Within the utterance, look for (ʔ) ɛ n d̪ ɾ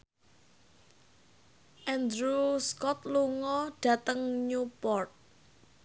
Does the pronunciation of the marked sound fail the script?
no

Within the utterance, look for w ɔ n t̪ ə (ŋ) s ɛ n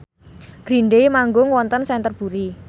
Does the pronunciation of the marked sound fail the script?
yes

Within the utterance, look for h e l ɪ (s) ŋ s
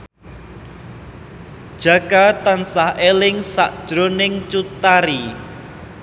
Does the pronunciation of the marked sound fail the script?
yes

